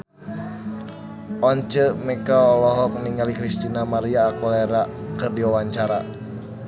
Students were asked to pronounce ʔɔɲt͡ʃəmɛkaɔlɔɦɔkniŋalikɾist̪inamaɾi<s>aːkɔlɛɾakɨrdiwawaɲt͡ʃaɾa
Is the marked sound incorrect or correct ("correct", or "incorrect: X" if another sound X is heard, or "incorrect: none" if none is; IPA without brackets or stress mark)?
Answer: incorrect: none